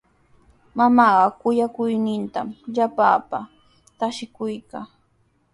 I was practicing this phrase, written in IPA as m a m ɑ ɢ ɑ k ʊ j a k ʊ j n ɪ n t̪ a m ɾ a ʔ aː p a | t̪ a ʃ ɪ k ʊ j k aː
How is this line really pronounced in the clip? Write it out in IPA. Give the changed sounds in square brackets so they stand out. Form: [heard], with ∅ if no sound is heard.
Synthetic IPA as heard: m a m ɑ ɢ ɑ k ʊ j a k ʊ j n ɪ n t̪ a m [ʎ] a [p] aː p a | t̪ a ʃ ɪ k ʊ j k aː